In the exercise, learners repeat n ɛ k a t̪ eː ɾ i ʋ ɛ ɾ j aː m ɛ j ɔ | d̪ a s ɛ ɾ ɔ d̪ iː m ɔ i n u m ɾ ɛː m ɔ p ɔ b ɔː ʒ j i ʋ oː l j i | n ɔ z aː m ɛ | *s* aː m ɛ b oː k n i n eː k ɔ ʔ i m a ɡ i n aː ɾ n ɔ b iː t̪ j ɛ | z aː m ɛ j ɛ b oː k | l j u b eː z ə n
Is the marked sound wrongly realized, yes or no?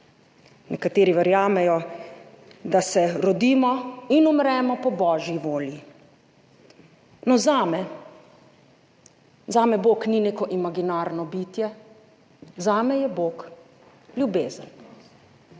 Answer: yes